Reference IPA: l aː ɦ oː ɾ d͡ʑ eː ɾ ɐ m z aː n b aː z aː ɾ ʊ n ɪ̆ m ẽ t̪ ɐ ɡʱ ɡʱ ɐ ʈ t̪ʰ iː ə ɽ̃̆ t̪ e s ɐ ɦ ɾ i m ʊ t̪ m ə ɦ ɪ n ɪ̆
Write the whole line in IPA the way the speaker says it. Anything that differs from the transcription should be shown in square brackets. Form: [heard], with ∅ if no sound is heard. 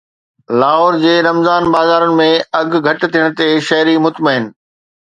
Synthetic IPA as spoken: l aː ɦ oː ɾ d͡ʑ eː ɾ ɐ m z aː n b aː z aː ɾ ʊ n ɪ̆ m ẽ [∅] ɐ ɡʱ ɡʱ ɐ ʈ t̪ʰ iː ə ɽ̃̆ t̪ e [ʃ] ɐ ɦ ɾ i m ʊ t̪ m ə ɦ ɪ n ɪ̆